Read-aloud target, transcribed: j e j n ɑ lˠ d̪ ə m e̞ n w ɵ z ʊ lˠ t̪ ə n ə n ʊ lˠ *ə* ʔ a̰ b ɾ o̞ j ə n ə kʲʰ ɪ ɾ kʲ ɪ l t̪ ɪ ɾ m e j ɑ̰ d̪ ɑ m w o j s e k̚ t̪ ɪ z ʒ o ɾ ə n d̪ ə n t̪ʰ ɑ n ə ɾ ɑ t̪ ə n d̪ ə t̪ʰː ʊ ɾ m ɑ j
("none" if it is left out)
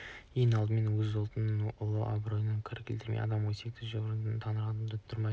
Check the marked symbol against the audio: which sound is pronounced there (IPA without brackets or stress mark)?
ə